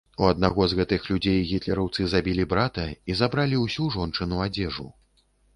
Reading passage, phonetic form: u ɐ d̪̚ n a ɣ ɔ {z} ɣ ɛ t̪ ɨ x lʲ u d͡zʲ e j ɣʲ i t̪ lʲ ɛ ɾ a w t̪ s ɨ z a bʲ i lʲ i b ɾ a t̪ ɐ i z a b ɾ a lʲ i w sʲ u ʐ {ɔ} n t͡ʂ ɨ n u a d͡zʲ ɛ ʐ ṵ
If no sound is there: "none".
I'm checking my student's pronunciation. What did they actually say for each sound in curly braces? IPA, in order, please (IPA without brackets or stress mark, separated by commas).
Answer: z, ɔ